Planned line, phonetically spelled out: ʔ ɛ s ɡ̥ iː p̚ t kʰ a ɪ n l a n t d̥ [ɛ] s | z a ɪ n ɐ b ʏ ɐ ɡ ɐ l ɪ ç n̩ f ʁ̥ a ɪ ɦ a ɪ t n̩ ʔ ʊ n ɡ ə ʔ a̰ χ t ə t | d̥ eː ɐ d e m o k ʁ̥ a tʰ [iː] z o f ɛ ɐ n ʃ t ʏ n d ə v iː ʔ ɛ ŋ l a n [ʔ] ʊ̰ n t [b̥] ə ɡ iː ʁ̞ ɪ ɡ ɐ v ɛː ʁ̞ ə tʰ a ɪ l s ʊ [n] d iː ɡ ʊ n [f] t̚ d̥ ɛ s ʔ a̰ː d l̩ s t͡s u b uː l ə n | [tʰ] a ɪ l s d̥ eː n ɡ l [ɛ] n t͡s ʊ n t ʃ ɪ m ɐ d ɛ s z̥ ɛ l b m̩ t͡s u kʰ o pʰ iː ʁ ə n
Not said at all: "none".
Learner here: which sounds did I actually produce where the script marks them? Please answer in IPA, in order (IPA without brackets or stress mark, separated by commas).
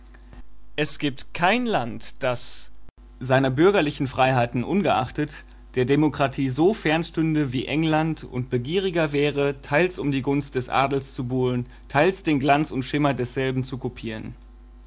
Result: a, iː, t, b̥, m, s, tʰ, a